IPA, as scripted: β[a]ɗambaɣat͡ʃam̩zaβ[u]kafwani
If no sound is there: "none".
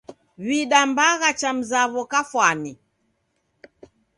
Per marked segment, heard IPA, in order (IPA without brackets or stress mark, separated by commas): i, ɔ